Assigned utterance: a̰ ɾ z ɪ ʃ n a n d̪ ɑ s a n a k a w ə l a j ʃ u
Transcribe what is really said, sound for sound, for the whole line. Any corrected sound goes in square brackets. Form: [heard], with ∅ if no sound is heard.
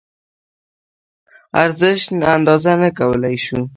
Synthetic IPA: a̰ ɾ z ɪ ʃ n a n d̪ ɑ [z] a n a k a w ə l a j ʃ u

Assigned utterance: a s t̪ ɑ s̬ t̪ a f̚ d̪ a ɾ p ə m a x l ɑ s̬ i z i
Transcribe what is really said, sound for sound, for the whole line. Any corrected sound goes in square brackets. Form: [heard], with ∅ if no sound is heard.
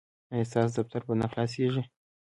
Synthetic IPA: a s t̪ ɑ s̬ [d̪] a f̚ [t̪] a ɾ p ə [n] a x l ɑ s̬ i [ʒ] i

